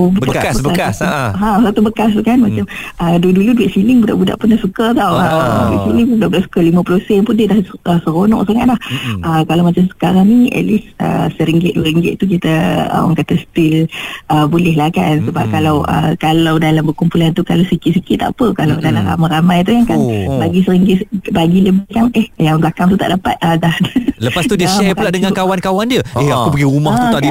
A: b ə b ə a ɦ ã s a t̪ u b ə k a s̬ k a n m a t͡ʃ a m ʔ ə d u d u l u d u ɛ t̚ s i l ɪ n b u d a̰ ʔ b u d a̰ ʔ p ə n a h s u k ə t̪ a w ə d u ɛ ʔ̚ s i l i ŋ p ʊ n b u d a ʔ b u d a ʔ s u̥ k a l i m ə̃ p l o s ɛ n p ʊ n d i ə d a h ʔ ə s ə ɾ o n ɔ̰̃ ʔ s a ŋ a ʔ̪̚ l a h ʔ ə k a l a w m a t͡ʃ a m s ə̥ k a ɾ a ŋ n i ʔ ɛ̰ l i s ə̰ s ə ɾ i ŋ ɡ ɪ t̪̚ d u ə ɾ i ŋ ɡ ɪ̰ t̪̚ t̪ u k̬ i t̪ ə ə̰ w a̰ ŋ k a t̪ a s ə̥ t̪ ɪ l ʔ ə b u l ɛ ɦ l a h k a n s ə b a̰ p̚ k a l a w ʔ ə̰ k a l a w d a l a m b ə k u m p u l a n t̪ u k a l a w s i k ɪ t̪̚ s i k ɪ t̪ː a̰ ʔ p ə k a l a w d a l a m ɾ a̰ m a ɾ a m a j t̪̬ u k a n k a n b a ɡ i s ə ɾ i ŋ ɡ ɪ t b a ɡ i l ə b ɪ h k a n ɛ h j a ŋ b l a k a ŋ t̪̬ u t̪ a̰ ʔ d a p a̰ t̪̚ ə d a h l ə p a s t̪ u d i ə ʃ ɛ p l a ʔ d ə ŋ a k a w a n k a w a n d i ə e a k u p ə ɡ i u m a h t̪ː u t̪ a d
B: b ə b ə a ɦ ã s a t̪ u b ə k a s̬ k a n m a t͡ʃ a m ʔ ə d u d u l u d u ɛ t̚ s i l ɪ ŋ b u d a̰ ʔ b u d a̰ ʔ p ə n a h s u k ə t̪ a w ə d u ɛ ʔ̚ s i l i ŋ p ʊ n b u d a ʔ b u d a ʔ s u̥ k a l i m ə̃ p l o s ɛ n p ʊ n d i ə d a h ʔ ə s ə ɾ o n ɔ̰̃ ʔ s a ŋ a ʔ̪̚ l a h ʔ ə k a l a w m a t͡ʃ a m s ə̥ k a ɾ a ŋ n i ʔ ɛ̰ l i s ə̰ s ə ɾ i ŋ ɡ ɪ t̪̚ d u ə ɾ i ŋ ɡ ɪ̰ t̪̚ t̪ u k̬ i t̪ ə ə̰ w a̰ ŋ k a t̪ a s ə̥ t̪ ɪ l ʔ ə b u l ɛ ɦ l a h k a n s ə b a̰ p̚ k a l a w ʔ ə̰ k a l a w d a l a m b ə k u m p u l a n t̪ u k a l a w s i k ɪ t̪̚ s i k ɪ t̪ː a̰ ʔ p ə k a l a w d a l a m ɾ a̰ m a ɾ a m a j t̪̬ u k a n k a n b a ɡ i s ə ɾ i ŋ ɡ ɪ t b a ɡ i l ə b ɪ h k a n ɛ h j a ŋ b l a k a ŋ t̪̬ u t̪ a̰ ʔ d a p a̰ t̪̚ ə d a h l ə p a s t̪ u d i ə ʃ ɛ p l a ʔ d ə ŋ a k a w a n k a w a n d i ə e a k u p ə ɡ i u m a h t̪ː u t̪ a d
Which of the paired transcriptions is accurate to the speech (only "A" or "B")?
B